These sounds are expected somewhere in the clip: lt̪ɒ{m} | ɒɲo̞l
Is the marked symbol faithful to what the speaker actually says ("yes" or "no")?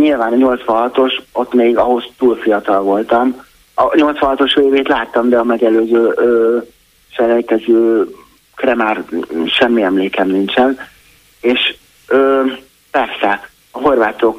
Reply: yes